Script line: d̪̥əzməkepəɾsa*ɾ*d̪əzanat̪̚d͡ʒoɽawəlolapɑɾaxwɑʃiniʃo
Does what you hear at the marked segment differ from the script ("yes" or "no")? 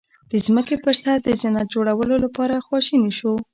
no